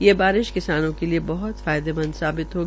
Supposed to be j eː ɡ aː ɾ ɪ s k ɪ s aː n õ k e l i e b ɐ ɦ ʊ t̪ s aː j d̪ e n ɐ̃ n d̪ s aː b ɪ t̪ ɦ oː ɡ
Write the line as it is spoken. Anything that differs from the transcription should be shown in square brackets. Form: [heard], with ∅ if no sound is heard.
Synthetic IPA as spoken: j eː [b] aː ɾ ɪ [ʃ] k ɪ s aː n õ k e l i e b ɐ ɦ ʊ t̪ [f] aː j d̪ e [m] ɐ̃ n d̪ s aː b ɪ t̪ ɦ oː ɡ